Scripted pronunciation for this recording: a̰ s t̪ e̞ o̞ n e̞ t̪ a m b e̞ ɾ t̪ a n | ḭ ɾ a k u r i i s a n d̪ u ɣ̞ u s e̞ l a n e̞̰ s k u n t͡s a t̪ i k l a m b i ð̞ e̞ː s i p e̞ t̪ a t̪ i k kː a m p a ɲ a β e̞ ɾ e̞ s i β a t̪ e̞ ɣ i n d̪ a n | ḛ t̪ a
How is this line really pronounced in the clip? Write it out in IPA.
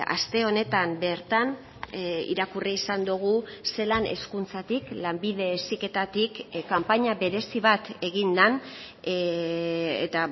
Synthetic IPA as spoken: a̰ s t̪ e̞ o̞ n e̞ t̪ a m b e̞ ɾ t̪ a n | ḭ ɾ a k u r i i s a n d̪ u ɣ̞ u s e̞ l a n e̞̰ s k u n t͡s a t̪ i k l a m b i ð̞ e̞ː s i k e̞ t̪ a t̪ i k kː a m p a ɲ a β e̞ ɾ e̞ s i β a t̪ e̞ ɣ i n d̪ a n | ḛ t̪ a